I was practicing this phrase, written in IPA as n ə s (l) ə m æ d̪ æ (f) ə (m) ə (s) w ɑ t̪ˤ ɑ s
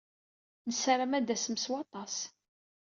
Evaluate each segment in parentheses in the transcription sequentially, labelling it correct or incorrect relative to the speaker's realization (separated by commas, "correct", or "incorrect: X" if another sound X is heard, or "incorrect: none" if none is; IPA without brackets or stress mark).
incorrect: ɾ, incorrect: s, correct, correct